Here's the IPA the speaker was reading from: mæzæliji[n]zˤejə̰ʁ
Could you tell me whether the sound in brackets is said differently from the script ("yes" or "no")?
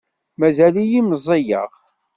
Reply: yes